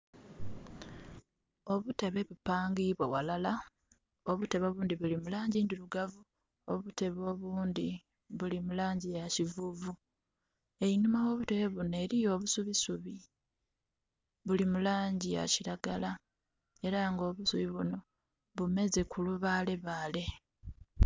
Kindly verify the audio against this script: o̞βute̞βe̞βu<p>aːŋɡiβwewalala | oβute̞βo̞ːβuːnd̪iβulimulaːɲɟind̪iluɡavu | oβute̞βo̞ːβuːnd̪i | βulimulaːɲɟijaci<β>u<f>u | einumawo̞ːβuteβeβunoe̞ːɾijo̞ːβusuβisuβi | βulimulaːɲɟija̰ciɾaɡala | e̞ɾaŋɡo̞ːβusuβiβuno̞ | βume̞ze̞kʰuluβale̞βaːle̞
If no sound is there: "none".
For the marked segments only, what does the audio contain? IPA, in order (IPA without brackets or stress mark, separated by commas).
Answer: p, v, v